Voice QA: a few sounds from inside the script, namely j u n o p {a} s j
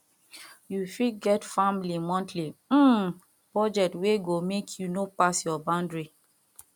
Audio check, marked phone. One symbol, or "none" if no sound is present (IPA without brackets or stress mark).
a